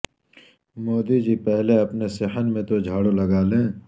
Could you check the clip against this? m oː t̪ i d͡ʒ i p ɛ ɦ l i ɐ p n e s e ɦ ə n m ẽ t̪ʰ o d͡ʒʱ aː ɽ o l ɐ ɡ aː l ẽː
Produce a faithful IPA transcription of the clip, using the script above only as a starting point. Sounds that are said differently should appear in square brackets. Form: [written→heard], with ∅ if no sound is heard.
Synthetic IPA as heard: m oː [t̪→d̪] i d͡ʒ i p ɛ ɦ l [i→e] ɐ p n e s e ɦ ə n m ẽ [t̪ʰ→t̪] o d͡ʒʱ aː ɽ o l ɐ ɡ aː l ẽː